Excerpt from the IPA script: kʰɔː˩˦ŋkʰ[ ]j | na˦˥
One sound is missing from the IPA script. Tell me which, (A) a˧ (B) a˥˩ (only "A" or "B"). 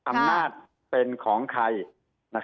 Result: A